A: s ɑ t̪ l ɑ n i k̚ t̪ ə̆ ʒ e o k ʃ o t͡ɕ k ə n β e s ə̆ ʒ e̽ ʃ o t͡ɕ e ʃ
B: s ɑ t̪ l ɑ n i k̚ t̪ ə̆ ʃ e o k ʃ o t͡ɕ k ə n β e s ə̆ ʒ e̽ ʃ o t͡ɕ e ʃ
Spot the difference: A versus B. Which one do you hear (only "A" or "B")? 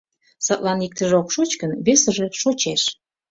A